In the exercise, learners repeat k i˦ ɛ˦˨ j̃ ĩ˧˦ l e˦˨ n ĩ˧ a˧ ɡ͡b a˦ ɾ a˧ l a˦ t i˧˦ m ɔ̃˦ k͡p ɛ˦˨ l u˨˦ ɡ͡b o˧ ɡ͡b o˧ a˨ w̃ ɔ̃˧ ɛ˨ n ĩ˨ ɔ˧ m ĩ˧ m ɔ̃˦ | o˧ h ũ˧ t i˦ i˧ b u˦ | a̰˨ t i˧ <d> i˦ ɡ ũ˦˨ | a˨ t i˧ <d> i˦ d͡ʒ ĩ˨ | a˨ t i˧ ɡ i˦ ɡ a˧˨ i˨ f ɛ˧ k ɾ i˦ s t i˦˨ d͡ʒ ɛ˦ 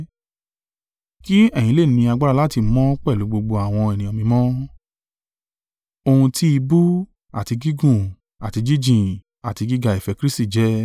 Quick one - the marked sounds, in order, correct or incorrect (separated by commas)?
incorrect, incorrect